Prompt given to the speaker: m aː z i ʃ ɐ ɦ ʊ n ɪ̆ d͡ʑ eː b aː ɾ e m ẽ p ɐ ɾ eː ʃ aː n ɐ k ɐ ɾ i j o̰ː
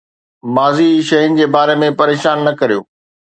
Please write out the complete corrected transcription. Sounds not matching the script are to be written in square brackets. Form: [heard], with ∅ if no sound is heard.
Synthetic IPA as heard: m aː z i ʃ ɐ ɦ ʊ n ɪ̆ d͡ʑ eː b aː ɾ e m ẽ p ɐ ɾ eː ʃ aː [nː] ɐ k ɐ ɾ i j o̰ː